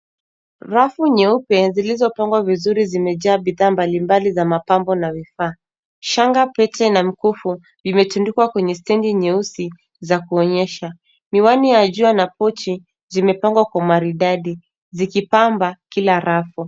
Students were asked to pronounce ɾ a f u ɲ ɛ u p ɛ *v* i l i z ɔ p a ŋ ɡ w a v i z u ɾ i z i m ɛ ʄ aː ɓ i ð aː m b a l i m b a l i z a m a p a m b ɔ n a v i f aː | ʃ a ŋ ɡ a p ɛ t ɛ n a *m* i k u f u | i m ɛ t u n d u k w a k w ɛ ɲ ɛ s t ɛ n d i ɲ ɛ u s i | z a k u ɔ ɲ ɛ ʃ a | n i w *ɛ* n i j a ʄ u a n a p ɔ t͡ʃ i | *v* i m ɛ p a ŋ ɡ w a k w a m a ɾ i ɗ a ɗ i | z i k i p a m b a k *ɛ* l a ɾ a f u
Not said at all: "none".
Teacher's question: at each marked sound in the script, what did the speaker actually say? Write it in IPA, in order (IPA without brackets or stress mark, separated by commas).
z, m, a, z, i